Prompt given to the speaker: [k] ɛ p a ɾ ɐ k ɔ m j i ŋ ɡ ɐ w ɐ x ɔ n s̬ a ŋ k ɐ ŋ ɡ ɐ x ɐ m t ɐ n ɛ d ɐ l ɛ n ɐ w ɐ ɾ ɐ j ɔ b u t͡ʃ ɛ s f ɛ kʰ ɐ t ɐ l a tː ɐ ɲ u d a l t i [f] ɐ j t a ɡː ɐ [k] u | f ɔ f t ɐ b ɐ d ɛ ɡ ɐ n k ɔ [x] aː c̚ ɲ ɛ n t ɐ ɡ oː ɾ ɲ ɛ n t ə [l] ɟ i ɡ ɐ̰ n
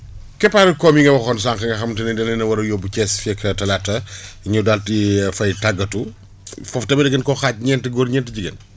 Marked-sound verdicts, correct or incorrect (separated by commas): correct, correct, incorrect, correct, incorrect